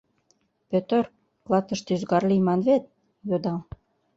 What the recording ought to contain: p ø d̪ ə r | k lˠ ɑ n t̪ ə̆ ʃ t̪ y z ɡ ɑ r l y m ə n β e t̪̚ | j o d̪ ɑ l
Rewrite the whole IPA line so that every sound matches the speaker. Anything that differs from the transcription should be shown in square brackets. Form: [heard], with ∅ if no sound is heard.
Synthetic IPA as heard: p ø [t̪] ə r | k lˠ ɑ [∅] t̪ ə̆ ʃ t̪ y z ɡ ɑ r l [i] m [ɑ] n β e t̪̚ | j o d̪ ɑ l